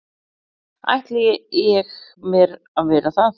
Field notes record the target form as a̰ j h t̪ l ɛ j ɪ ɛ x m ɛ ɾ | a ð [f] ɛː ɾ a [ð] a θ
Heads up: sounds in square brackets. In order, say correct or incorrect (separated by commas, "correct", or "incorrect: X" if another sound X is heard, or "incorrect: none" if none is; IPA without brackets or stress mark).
incorrect: v, incorrect: θ